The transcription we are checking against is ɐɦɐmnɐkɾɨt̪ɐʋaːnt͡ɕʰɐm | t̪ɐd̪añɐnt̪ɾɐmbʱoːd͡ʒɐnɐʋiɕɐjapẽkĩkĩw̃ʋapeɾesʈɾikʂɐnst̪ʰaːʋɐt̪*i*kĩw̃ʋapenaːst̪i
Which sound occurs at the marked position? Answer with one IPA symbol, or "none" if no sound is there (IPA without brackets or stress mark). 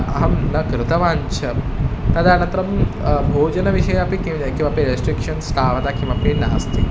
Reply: a